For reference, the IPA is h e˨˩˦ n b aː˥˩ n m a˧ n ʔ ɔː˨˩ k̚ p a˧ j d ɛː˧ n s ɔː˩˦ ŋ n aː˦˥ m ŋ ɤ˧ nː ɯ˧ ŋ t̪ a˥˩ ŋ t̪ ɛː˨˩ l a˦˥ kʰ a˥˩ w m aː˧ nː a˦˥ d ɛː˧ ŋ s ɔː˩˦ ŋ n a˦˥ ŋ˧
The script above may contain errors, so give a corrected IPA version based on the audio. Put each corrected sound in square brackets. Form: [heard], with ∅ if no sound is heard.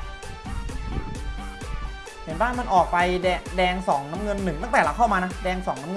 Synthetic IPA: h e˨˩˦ n b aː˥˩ n m a˧ n ʔ ɔː˨˩ k̚ p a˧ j d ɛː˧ [ŋ] s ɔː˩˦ ŋ n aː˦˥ m ŋ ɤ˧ nː [ɯ˨˩] ŋ t̪ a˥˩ ŋ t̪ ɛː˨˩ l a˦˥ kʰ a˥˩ w m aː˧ [n] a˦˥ d ɛː˧ ŋ s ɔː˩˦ ŋ n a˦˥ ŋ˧